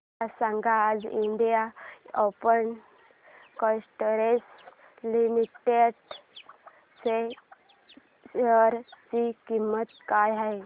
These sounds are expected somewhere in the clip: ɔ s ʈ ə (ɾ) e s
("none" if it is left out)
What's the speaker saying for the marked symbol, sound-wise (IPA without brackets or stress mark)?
ɾ